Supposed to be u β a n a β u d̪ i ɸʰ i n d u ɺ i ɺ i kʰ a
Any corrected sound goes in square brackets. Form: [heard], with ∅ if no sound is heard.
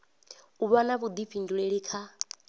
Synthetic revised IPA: u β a n a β u d̪ i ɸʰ i n d u ɺ [e] ɺ i kʰ a